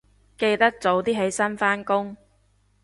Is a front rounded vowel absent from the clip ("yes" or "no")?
yes